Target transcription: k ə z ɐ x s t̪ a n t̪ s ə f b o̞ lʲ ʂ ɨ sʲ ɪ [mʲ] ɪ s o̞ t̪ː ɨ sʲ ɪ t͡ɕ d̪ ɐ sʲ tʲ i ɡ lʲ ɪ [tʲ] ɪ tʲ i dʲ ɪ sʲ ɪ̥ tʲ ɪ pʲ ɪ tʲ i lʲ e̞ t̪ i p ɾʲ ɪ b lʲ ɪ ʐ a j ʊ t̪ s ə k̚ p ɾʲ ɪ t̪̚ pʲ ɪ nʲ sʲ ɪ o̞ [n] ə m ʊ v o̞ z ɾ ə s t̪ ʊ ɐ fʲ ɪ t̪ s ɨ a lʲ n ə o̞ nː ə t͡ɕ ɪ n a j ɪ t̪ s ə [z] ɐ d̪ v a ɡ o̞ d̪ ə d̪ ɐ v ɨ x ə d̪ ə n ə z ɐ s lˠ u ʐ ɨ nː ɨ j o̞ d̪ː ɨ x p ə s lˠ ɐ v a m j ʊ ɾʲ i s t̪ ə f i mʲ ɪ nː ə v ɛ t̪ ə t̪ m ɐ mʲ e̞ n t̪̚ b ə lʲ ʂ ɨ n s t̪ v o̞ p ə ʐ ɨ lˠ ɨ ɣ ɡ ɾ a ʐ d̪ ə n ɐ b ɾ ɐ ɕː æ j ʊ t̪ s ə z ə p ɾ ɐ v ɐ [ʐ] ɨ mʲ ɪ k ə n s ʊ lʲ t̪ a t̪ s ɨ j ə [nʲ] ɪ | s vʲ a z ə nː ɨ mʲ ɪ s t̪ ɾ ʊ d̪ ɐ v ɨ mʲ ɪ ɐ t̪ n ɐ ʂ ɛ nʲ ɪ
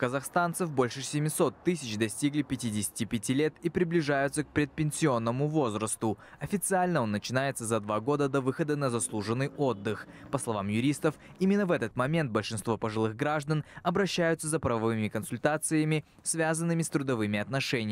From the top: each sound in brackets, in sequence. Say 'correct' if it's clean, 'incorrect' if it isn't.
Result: correct, incorrect: pʲ, incorrect: nː, correct, incorrect: v, incorrect: mʲ

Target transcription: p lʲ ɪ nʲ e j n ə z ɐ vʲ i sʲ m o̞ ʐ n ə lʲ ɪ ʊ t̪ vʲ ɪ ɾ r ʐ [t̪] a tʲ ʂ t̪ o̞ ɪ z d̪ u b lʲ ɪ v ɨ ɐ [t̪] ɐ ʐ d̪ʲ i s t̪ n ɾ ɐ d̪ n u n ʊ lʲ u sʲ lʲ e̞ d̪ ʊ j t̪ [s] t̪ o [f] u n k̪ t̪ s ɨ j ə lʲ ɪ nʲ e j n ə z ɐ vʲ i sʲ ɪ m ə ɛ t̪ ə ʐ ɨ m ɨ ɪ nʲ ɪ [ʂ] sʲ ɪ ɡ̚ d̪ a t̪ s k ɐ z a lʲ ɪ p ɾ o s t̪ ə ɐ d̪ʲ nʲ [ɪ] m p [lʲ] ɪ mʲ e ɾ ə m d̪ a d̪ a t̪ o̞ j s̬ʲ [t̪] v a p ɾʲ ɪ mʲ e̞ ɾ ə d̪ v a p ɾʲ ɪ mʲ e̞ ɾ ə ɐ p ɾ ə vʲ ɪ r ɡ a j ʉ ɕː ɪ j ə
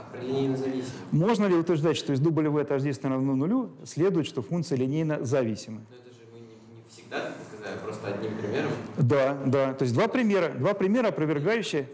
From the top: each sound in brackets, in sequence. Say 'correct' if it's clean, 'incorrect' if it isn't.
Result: incorrect: d̪, correct, incorrect: ʂ, correct, incorrect: f, incorrect: i, incorrect: ɾʲ, incorrect: d̪

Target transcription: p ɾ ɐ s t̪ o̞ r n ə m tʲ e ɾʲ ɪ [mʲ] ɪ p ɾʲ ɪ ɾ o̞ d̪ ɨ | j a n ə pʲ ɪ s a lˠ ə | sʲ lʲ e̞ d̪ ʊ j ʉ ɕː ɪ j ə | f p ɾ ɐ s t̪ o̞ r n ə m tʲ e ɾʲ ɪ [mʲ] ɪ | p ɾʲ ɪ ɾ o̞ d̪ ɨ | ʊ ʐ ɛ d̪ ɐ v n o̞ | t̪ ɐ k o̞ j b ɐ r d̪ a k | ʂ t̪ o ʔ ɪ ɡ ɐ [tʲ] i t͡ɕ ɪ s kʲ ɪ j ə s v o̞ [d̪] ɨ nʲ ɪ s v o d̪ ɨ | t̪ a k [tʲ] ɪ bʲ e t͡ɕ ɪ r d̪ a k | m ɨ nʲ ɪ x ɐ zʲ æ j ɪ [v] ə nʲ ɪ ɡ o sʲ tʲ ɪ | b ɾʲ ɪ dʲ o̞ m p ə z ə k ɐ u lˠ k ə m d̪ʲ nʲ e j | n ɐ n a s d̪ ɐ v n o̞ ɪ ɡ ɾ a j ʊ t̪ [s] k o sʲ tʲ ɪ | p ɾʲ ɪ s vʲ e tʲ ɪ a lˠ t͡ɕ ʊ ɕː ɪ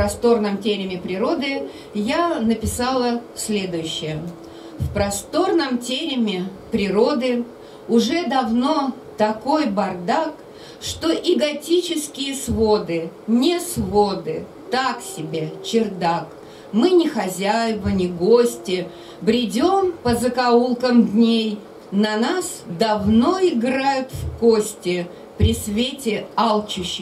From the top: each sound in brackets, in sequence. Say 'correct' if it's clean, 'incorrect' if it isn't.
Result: correct, correct, correct, correct, incorrect: sʲ, correct, incorrect: f

